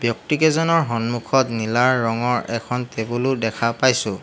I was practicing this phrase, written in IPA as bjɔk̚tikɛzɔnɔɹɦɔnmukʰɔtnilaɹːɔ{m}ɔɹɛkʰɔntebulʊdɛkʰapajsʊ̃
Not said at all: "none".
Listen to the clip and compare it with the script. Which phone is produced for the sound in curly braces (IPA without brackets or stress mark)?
ŋ